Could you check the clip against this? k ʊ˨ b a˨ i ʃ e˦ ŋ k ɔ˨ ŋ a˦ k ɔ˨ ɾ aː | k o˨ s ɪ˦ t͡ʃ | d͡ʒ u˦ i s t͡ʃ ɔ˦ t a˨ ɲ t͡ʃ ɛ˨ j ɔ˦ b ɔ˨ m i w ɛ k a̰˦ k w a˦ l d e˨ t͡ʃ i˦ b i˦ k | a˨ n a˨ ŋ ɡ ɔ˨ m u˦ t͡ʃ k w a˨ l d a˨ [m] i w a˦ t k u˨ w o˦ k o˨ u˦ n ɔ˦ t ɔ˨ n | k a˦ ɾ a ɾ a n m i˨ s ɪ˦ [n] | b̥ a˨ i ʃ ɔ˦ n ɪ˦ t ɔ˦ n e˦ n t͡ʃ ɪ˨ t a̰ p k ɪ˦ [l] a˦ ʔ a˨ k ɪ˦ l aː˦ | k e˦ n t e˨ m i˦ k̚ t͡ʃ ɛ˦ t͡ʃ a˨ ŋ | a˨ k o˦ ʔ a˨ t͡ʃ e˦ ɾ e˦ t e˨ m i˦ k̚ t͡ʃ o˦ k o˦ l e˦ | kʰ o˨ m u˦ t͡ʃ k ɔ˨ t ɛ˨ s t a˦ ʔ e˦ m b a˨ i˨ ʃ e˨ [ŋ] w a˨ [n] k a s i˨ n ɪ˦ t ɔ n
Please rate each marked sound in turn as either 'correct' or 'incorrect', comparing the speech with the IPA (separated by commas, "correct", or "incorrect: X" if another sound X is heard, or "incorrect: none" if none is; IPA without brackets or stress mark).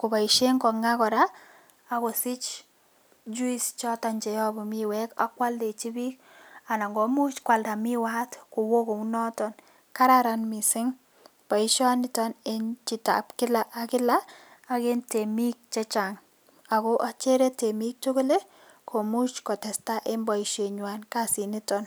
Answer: correct, incorrect: ŋ, correct, incorrect: ɲ, correct